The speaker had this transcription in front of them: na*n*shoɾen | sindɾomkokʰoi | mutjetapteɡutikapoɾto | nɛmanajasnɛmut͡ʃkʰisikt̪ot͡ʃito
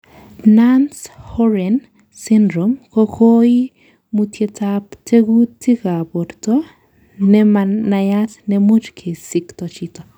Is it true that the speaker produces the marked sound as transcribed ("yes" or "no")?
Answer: yes